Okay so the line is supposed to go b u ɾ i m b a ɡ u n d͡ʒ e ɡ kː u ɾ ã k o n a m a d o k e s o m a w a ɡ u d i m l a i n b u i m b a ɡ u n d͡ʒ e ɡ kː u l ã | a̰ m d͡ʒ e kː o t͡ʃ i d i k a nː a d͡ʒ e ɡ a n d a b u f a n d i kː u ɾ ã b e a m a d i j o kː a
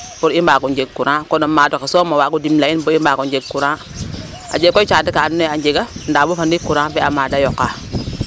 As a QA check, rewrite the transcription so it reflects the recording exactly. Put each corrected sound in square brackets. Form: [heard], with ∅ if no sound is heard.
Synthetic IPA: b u ɾ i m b a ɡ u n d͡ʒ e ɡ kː u ɾ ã k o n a m a d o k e s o m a w a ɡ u d i m l a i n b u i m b a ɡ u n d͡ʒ e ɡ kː u [ɾ] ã | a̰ [∅] d͡ʒ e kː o t͡ʃ [a] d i k a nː a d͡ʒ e ɡ a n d a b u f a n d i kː u ɾ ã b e a m a d [a] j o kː a

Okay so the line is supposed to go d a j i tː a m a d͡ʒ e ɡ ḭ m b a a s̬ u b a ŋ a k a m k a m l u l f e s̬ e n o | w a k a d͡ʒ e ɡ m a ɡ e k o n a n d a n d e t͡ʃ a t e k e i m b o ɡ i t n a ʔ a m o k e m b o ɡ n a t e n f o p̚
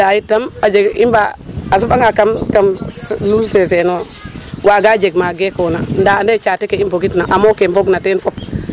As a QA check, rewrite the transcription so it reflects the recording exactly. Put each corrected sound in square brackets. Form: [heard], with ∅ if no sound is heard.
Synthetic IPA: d a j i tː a m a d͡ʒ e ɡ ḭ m b a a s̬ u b a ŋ a k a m k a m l u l [s] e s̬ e n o | w a [ɡ] a d͡ʒ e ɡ m a ɡ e k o n a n d a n d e t͡ʃ a t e k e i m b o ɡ i t n a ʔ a m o k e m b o ɡ n a t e n f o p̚

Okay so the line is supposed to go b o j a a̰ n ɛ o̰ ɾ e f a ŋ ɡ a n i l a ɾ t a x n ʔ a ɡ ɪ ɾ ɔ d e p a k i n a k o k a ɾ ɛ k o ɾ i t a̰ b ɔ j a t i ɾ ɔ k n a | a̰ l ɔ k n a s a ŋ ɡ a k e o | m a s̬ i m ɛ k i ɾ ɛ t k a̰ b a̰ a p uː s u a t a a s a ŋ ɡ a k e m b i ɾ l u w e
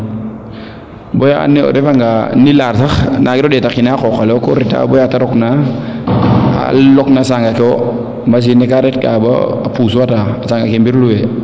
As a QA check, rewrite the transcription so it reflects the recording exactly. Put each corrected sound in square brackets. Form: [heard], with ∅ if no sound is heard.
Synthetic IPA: b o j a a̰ n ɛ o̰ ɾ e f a ŋ ɡ a n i l a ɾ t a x n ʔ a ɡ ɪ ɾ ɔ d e [t] a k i n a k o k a [l] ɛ k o ɾ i t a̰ b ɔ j a t [a] ɾ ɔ k n a | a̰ l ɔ k n a s a ŋ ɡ a k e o | m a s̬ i [n] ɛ k [a] ɾ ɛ t k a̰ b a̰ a p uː s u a t a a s a ŋ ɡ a k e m b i ɾ l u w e

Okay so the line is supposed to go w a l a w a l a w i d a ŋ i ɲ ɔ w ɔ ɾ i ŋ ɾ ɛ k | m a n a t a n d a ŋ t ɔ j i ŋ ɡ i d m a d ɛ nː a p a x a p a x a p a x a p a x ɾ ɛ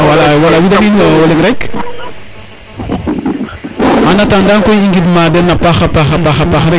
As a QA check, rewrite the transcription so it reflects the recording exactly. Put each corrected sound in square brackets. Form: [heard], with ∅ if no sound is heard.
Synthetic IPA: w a l a w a l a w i d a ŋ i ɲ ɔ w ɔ [l] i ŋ ɾ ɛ k | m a n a t a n d a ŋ [k] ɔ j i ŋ ɡ i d m a d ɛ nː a p a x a p a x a p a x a p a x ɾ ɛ

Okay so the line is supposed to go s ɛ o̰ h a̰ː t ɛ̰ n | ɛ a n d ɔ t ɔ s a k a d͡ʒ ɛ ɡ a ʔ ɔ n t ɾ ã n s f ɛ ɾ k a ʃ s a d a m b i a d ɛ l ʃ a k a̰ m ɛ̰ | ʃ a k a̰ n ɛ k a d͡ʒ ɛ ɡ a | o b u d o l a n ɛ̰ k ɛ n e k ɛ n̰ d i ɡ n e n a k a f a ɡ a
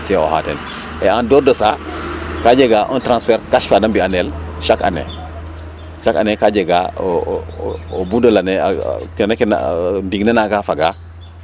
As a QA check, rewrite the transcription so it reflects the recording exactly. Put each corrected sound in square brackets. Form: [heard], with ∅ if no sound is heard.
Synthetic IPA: s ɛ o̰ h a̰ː t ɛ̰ n | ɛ a n d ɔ [d] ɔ s a k a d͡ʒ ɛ ɡ a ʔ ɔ n t ɾ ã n s f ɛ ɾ k a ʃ [f] a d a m b i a [n] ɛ l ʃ a k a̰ [n] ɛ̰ | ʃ a k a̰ n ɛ k a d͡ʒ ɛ ɡ a | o b u d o l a n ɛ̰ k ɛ n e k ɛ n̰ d i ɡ n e n a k a f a ɡ a

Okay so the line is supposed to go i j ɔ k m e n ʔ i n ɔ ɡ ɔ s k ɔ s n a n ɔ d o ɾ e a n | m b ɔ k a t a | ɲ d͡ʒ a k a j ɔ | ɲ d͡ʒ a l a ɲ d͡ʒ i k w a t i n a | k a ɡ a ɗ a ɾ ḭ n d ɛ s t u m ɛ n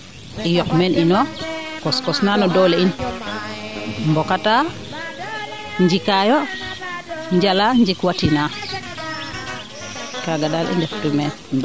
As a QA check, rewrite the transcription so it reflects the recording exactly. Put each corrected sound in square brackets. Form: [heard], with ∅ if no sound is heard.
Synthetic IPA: i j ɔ k m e n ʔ i n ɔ [k] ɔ s k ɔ s n a n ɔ d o [l] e [i] n | m b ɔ k a t a | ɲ d͡ʒ [i] k a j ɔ | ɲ d͡ʒ a l a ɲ d͡ʒ i k w a t i n a | k a ɡ a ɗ a [l] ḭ n d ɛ [f] t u m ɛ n

